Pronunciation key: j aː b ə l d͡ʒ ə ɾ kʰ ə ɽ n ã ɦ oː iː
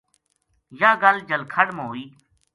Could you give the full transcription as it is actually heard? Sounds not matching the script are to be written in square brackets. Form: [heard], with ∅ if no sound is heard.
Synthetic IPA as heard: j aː [ɡ] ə l d͡ʒ ə [l] kʰ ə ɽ [m] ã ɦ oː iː